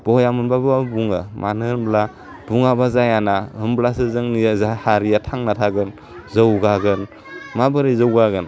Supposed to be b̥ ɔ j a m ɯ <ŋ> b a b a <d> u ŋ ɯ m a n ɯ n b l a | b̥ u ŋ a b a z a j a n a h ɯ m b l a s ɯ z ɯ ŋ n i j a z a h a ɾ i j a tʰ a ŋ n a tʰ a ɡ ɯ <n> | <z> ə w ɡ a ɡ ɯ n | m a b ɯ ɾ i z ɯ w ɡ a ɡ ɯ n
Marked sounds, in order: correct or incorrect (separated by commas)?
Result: incorrect, incorrect, correct, correct